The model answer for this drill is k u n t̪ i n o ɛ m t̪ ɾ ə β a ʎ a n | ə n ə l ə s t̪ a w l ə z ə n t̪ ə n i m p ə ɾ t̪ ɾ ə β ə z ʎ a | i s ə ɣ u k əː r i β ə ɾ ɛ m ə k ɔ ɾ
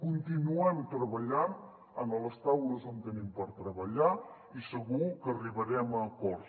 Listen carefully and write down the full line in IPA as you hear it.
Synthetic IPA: k u n t̪ i n u ɛ m t̪ ɾ ə β ə ʎ a n | ə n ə l ə s t̪ a w l ə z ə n t̪ ə n i m p ə ɾ t̪ ɾ ə β ə ʎ a | i s ə ɣ u k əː r i β ə ɾ ɛ m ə k ɔ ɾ